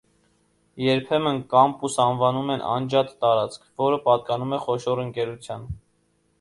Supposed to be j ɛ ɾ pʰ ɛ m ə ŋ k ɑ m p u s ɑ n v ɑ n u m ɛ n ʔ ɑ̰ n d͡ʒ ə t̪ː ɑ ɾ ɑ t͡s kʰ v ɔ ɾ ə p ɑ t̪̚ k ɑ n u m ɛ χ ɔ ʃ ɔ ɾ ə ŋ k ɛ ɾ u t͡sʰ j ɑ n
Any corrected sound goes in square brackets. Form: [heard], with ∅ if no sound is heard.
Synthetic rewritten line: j ɛ ɾ pʰ ɛ m ə [n] k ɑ m p u s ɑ n v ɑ n u m ɛ n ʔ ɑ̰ n d͡ʒ [ɑ] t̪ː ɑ ɾ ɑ t͡s kʰ v ɔ ɾ ə p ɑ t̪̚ k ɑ n u m ɛ χ ɔ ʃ ɔ ɾ ə ŋ k ɛ ɾ u t͡sʰ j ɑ n